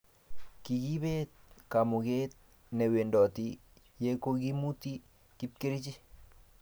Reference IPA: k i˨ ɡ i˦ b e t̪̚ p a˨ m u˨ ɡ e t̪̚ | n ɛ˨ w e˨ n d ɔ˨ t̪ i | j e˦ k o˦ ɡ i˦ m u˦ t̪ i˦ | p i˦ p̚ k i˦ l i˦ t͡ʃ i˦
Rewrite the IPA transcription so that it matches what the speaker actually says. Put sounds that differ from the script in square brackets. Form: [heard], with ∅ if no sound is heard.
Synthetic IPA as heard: k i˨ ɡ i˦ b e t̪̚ [k] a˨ m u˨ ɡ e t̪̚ | n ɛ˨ w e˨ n d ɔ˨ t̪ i | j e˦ k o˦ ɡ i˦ m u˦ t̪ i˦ | [k] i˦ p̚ k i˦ [ɾ] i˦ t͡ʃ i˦